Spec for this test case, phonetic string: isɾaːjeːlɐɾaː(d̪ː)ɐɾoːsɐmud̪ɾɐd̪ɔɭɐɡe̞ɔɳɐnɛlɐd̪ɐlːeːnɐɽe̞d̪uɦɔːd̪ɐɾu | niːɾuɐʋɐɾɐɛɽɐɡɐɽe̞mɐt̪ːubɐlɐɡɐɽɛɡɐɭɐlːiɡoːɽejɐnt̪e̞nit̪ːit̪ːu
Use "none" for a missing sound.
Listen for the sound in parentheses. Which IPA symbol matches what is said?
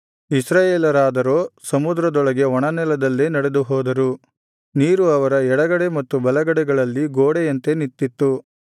d̪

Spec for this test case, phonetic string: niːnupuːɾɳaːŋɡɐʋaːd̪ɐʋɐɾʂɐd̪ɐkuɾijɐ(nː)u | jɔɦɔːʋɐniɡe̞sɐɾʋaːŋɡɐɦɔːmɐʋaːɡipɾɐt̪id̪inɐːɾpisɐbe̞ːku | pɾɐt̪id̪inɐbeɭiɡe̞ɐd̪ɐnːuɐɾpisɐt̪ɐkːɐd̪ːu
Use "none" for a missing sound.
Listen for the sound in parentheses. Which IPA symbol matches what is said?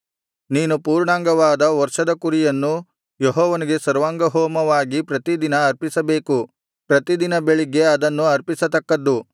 nː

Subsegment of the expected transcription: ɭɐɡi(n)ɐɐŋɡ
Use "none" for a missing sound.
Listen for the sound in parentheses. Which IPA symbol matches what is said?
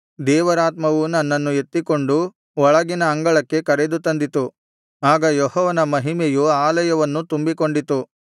n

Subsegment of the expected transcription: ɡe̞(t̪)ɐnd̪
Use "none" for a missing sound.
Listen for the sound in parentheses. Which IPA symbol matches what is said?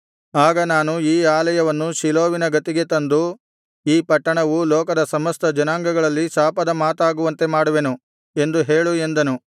t̪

